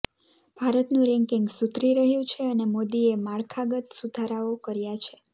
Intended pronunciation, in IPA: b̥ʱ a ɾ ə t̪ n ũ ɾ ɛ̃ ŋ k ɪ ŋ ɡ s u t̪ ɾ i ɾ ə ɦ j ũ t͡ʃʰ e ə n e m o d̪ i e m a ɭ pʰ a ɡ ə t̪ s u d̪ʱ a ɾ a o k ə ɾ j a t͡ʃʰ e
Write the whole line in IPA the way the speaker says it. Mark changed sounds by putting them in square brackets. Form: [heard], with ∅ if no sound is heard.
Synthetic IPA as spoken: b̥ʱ a ɾ ə t̪ n ũ ɾ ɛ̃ ŋ k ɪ ŋ ɡ s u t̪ ɾ i ɾ ə ɦ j ũ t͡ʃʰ e ə n e m o d̪ i e m a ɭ [kʰ] a ɡ ə t̪ s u d̪ʱ a ɾ a o k ə ɾ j a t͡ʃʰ e